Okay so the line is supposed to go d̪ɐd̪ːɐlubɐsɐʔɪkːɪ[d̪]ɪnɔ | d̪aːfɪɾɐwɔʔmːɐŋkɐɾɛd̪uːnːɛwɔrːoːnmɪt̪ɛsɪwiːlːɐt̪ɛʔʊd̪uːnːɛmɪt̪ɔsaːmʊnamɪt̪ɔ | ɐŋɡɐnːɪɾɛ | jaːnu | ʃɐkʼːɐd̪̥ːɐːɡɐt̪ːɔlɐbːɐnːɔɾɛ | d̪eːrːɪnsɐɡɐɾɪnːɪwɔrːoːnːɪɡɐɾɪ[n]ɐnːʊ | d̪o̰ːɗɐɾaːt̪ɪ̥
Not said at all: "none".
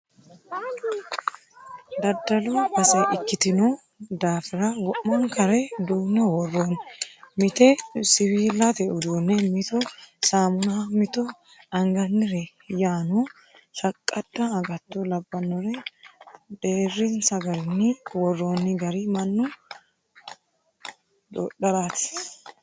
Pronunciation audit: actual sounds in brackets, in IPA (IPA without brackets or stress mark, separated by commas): t̪, m